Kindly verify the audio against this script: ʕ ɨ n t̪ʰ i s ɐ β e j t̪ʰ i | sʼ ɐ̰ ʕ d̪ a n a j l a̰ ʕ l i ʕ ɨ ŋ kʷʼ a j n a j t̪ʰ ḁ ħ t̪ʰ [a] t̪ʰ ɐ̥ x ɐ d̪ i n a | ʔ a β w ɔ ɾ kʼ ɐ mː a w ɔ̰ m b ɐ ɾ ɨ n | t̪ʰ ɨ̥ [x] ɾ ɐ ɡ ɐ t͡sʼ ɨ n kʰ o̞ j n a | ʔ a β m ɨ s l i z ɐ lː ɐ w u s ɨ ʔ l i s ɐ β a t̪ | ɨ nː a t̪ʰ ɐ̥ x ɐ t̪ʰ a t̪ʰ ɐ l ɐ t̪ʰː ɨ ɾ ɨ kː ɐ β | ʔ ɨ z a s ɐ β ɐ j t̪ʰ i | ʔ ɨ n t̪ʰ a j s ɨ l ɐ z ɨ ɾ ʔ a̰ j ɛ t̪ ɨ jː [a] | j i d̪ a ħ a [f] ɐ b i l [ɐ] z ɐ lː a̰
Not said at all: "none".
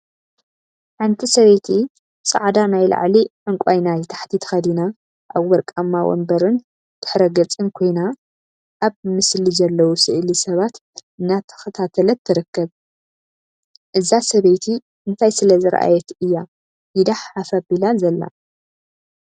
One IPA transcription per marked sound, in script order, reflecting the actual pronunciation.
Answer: i, ħ, a, f, a

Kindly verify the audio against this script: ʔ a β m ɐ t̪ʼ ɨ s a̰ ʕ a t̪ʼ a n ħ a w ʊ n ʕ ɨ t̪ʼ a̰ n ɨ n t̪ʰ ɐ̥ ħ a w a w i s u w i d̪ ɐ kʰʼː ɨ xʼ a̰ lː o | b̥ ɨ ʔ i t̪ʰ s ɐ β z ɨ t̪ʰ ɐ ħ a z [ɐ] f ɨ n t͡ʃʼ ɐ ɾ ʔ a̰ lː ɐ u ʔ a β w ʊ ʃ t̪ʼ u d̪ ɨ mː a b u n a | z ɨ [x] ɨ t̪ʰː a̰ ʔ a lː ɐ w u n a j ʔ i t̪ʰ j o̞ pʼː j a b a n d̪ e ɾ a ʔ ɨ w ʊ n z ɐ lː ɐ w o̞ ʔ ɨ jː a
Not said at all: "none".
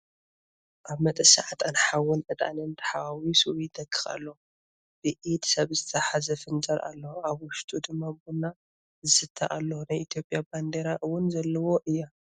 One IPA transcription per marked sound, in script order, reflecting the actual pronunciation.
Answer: ɐ, s

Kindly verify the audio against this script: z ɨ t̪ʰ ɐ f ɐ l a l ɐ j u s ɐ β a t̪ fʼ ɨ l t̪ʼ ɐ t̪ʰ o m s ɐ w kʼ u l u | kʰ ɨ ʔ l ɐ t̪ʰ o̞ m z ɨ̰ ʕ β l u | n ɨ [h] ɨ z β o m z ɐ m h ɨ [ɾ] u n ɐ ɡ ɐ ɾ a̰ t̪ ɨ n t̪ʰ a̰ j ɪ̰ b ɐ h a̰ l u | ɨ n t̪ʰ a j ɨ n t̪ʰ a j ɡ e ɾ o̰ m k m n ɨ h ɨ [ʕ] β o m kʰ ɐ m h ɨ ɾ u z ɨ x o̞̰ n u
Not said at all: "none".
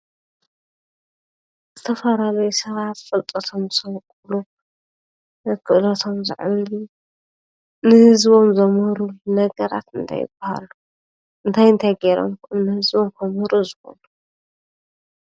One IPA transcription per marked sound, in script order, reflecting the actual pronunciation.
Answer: h, ɾ, z

